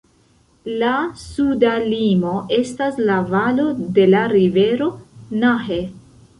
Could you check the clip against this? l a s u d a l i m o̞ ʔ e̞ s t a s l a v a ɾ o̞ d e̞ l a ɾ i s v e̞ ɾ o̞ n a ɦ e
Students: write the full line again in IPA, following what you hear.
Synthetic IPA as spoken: l a s u d a l i m o̞ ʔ e̞ s t a s l a v a l o̞ d e̞ l a ɾ i v e̞ ɾ o̞ n a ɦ e